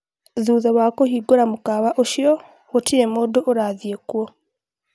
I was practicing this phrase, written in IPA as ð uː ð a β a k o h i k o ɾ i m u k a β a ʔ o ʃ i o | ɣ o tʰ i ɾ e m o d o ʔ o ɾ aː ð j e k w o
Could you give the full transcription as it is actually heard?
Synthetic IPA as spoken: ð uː ð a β a k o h i ɡ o ɾ a m u k a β a ʔ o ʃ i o | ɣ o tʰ i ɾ e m o d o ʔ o ɾ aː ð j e k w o